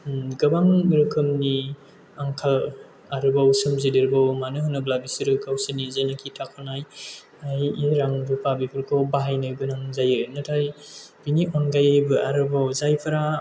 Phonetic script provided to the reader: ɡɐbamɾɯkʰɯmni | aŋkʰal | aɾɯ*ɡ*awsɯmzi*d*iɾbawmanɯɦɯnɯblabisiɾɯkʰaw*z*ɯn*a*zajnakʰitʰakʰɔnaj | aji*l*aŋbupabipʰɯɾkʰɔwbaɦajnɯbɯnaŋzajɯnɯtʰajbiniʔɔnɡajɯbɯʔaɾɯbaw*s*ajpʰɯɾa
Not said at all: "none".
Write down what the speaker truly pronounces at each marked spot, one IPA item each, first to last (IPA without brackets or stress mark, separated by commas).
b, d, s, i, ɾ, z